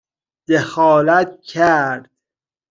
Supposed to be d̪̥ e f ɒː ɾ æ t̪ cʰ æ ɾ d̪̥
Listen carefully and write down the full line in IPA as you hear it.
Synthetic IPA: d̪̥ e x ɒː l æ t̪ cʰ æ ɾ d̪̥